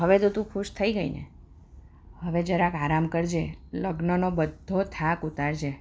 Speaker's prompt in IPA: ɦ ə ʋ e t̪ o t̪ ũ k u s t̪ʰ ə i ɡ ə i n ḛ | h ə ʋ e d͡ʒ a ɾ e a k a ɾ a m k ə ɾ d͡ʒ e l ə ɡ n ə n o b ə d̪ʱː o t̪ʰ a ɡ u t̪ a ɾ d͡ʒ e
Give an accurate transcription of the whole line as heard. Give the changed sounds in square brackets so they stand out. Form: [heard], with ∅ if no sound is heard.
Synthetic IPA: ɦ ə ʋ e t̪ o t̪ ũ [kʰ] u [ʃ] t̪ʰ ə i ɡ ə i n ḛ | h ə ʋ e d͡ʒ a ɾ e a k a ɾ a m k ə ɾ d͡ʒ e l ə ɡ n ə n o b ə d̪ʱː o t̪ʰ a [k] u t̪ a ɾ d͡ʒ e